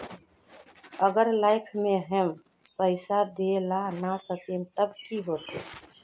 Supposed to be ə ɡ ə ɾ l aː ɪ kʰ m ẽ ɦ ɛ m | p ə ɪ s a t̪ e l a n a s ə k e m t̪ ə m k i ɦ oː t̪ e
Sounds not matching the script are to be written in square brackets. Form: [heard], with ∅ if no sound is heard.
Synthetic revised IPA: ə ɡ ə ɾ l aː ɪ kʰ m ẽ ɦ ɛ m | p ə ɪ s a [d̪] e l a n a s ə k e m t̪ ə [b] k i ɦ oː t̪ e